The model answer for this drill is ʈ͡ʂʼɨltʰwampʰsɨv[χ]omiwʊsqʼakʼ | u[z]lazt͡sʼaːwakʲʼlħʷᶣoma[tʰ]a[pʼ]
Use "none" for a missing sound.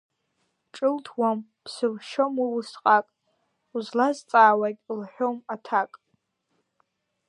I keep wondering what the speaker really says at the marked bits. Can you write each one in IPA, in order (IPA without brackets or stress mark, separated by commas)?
ʃ, z, tʰ, kʼ